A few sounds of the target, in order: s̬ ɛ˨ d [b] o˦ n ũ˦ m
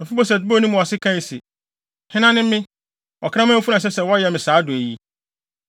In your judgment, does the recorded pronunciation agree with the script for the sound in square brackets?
yes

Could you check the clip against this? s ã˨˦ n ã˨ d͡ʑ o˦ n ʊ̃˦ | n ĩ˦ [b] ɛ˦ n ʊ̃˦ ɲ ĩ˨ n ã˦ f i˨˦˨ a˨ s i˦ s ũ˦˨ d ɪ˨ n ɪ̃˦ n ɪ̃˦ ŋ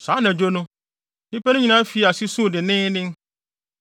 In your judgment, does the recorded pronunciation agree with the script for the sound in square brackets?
no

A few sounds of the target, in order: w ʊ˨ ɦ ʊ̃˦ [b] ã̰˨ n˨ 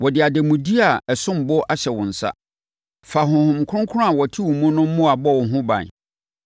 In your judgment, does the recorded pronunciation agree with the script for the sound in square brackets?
yes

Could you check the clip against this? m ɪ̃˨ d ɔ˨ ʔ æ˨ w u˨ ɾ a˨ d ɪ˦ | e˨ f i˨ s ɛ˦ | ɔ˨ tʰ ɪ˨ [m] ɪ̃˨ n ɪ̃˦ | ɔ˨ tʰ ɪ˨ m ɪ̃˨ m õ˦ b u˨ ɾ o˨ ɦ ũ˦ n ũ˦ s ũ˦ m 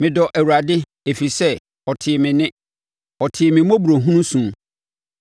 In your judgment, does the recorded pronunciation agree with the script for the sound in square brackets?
yes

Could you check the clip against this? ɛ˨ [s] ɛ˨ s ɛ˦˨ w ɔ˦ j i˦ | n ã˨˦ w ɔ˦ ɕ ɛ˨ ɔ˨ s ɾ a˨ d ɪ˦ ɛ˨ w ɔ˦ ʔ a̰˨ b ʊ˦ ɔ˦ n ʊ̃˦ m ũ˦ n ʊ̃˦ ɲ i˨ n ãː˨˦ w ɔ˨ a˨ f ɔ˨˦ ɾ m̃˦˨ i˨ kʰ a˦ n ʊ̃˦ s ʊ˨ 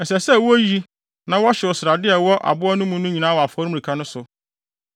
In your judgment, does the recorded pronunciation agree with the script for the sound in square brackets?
yes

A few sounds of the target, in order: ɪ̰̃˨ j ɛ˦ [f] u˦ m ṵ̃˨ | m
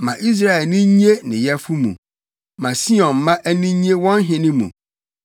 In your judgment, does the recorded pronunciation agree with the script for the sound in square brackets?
yes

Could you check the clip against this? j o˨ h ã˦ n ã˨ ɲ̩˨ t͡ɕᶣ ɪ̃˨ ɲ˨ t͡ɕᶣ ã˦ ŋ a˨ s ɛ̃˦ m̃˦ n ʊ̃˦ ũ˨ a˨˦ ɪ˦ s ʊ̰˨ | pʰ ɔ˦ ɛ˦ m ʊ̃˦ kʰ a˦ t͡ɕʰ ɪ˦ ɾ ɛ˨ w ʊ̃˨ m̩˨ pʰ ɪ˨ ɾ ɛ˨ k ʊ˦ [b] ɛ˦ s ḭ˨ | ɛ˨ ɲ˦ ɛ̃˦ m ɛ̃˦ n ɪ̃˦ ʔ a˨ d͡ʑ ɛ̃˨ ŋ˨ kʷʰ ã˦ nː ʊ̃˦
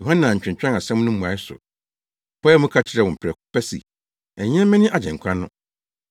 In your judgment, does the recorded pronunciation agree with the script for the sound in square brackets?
no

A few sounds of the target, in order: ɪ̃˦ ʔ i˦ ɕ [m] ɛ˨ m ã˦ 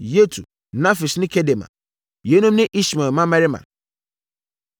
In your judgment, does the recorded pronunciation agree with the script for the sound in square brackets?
yes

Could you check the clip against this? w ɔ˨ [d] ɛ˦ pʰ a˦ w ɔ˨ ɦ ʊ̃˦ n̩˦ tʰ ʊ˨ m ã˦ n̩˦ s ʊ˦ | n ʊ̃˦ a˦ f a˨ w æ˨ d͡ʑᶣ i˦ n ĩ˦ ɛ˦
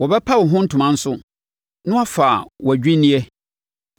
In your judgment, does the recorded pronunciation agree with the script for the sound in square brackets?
no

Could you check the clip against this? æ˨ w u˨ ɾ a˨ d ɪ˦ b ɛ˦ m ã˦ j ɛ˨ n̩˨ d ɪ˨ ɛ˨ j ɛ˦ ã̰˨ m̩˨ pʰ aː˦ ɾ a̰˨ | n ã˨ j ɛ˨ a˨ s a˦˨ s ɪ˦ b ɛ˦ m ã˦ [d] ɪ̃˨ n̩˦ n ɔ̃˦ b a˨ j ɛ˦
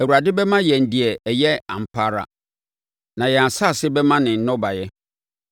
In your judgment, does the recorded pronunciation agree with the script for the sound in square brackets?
no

